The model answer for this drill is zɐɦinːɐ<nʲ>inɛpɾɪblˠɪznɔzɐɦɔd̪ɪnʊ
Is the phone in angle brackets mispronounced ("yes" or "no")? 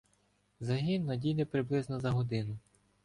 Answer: yes